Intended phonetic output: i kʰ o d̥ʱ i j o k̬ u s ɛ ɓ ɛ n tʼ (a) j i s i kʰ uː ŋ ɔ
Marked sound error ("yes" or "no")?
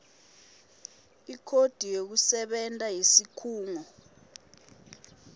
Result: no